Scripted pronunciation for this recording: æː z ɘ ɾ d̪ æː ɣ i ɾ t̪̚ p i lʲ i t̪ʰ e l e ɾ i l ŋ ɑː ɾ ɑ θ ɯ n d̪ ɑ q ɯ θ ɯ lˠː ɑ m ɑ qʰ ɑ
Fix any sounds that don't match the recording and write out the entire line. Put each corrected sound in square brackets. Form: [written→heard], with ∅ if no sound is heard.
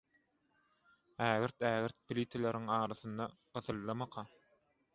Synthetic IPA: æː [z→ɣ] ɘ ɾ [d̪→t̪] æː ɣ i ɾ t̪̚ p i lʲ i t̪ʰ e l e ɾ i [l→∅] ŋ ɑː ɾ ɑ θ ɯ n d̪ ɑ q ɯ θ ɯ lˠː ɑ m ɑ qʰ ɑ